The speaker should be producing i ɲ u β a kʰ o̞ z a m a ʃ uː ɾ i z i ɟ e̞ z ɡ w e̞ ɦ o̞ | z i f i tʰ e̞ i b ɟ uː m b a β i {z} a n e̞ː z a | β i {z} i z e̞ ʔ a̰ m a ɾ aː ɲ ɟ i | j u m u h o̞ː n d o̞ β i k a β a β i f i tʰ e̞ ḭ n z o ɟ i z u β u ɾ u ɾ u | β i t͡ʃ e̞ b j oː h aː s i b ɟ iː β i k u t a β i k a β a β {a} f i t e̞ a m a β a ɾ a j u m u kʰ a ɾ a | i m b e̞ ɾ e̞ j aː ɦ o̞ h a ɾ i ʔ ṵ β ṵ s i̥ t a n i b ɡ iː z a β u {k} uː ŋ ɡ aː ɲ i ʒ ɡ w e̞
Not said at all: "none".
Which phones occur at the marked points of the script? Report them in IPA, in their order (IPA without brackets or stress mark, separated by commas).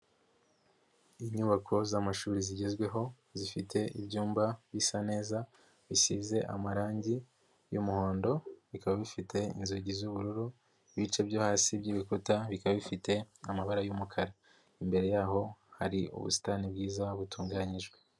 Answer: s, s, i, t